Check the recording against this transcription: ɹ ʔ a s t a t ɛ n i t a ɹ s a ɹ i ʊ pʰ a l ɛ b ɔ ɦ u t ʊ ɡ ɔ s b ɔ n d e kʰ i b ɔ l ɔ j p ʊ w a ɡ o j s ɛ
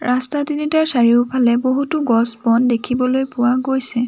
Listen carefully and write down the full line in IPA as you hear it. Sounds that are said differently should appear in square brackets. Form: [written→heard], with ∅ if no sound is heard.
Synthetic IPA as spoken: ɹ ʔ a s t a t [ɛ→i] n i t a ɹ s a ɹ i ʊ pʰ a l ɛ b [ɔ→o] ɦ u t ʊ ɡ ɔ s b ɔ n d e kʰ i b ɔ l [ɔ→o] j p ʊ w a ɡ o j s ɛ